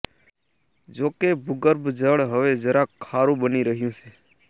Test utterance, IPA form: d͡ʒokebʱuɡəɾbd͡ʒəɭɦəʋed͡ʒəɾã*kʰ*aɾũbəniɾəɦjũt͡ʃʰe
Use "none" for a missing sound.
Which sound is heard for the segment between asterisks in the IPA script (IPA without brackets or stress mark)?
kʰ